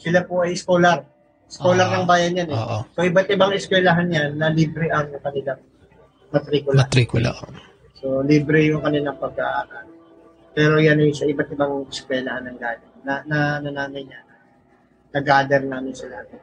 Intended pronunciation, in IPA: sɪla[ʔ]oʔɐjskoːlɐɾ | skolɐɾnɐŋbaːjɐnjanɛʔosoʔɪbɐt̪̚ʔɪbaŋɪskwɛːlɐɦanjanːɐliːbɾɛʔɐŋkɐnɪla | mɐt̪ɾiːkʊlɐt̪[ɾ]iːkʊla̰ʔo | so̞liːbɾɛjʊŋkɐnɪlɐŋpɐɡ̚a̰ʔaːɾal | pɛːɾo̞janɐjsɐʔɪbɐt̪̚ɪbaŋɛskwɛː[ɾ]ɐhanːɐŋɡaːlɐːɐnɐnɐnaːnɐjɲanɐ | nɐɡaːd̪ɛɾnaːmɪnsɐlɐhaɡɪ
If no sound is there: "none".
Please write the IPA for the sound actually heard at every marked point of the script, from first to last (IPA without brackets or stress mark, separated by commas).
p, ɾ, l